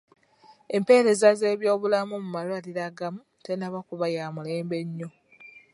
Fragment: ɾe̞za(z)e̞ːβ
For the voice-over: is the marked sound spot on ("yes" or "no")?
yes